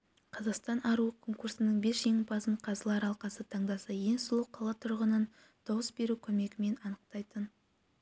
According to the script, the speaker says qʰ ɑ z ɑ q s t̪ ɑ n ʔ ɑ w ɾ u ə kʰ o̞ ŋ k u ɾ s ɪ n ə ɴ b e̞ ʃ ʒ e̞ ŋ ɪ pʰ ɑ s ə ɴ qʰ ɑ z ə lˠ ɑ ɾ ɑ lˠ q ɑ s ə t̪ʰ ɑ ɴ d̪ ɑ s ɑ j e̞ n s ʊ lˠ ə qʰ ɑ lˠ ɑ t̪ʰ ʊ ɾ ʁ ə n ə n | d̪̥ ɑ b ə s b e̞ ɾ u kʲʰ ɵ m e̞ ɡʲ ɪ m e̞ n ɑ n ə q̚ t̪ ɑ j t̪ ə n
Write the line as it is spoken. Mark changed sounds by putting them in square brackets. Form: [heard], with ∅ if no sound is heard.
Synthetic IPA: qʰ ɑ z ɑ q s t̪ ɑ n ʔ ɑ [∅] ɾ u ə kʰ o̞ ŋ k u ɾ s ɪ n ə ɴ b e̞ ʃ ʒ e̞ ŋ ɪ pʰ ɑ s ə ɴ qʰ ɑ z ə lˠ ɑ ɾ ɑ lˠ q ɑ s ə t̪ʰ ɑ ɴ d̪ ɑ s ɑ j e̞ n s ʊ lˠ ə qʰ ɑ lˠ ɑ t̪ʰ ʊ ɾ ʁ ə n ə n | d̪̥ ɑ [w] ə s b e̞ ɾ u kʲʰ ɵ m e̞ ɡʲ ɪ m e̞ n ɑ n ə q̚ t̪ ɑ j t̪ ə n